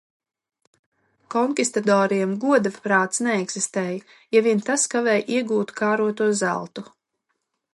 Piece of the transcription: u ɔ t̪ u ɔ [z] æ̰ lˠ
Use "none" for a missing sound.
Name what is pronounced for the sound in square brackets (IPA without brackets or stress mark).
z